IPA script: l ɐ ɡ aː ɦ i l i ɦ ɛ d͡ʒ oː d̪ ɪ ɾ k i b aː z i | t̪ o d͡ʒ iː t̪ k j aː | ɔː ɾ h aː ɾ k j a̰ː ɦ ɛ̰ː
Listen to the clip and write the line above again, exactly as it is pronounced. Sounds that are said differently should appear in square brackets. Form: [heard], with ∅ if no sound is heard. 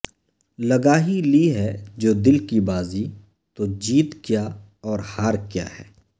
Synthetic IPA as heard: l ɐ ɡ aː ɦ i l i ɦ ɛ d͡ʒ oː d̪ ɪ [l] k i b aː z i | t̪ o d͡ʒ iː t̪ k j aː | ɔː ɾ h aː ɾ k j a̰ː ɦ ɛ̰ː